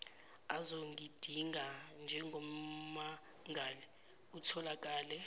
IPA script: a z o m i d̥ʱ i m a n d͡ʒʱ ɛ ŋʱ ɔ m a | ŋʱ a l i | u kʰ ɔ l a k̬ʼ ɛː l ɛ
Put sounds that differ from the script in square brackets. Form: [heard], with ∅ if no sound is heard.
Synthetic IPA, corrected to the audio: a z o [ŋ] i d̥ʱ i [ŋ] a n d͡ʒʱ ɛ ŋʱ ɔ m a | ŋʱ a l i | u [tʰ] ɔ l a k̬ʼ [aː] l ɛ